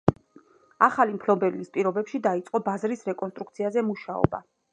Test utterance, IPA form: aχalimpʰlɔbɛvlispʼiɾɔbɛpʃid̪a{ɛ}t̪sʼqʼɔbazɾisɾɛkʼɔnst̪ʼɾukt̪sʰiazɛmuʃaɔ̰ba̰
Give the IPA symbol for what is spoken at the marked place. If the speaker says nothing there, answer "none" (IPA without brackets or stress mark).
i